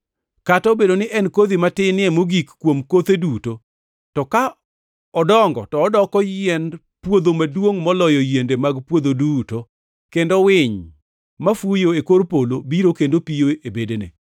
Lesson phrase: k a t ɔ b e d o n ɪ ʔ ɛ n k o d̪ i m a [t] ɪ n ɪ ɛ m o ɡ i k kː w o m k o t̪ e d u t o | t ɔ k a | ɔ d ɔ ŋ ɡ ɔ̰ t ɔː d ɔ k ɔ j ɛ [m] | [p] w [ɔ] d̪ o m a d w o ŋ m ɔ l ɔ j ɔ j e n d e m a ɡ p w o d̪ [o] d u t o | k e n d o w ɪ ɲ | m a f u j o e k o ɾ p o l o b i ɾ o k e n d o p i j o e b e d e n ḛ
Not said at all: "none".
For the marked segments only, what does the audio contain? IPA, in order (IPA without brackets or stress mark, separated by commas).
t, n, p, o, o